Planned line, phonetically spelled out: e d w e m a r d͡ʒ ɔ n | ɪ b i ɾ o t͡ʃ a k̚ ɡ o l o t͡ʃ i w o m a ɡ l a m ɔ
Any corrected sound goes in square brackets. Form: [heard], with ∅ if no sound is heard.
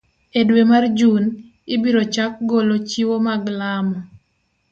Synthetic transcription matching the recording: e d w e m a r d͡ʒ [u] n | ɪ b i ɾ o t͡ʃ a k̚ ɡ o l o t͡ʃ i w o m a ɡ l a m ɔ